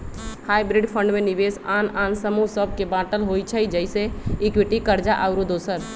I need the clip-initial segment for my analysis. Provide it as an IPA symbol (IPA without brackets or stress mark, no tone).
h